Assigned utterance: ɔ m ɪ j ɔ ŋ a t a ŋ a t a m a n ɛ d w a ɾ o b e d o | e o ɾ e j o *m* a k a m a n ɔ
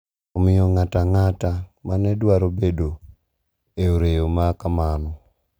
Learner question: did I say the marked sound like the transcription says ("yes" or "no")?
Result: yes